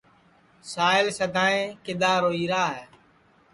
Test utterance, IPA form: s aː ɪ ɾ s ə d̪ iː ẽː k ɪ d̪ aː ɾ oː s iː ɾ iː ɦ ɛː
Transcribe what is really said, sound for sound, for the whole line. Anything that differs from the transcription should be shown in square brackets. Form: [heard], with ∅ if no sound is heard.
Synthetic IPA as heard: s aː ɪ [l] s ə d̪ [aː] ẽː k ɪ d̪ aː ɾ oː [∅] iː ɾ [aː] ɦ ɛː